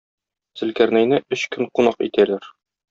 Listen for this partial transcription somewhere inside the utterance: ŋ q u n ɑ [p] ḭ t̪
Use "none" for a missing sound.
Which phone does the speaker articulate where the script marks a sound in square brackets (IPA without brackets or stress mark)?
q